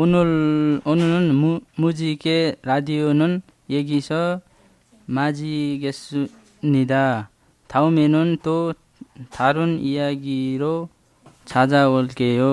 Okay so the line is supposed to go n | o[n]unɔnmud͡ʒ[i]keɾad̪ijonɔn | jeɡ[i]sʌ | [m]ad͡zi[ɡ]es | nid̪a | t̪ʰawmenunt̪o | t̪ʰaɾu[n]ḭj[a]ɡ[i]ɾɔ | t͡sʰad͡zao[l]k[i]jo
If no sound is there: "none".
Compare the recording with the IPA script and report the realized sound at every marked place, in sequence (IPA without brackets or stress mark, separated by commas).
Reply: n, i, i, m, ɡ, n, a, i, l, e